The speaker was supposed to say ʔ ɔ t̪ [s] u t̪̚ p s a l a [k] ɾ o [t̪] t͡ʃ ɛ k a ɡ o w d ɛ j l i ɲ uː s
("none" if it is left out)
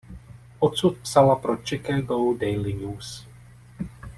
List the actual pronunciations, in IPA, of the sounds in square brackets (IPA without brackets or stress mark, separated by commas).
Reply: s, p, none